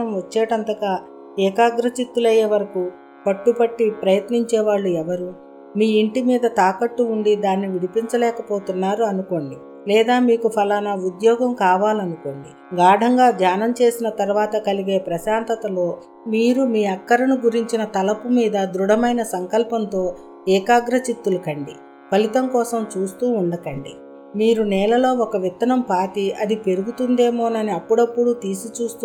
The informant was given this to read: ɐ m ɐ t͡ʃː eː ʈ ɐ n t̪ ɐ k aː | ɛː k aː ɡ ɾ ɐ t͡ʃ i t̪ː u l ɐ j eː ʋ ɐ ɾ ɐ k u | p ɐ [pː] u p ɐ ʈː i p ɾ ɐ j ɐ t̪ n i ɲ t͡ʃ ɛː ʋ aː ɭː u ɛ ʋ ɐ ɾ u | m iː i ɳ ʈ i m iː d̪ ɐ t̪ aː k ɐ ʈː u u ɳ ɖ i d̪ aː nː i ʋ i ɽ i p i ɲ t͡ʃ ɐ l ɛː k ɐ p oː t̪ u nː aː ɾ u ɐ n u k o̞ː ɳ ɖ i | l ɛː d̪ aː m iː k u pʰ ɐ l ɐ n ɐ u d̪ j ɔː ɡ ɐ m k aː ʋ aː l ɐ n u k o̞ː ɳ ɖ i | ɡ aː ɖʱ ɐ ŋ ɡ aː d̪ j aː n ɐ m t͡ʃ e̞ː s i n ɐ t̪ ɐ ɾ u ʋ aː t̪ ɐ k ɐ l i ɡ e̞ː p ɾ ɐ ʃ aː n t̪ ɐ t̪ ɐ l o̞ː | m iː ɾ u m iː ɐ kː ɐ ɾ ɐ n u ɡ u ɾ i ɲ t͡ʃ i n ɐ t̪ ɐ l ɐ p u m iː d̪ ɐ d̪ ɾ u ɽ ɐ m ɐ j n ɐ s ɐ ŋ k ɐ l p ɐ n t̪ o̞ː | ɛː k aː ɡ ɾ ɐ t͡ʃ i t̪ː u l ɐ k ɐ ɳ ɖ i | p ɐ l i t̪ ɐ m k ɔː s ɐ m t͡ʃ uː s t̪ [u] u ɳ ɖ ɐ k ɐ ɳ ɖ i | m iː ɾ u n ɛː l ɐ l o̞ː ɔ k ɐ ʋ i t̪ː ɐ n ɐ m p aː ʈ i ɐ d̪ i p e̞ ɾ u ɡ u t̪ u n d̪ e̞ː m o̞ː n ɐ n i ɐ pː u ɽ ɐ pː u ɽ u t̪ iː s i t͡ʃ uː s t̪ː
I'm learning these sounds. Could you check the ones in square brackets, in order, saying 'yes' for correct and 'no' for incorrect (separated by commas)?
no, no